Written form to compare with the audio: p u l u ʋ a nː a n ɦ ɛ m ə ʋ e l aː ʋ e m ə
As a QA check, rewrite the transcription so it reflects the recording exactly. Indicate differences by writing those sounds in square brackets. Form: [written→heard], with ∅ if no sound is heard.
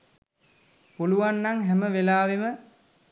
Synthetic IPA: p u l u ʋ a nː a [n→ŋ] ɦ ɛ m ə ʋ e l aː ʋ e m ə